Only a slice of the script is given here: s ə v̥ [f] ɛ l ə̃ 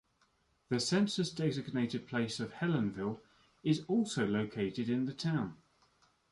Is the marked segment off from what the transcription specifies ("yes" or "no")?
yes